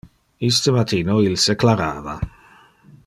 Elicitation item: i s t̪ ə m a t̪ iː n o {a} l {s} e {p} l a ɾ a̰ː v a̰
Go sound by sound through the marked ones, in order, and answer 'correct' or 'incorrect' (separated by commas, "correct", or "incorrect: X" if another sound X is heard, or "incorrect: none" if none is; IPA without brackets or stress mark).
incorrect: i, correct, incorrect: k